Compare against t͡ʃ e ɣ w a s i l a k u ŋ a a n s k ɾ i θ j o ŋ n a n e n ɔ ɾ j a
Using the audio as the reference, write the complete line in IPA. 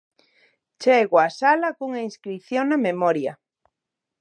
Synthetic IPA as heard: t͡ʃ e ɣ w a s a l a k u ŋ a i n s k ɾ i θ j o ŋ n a m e m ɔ ɾ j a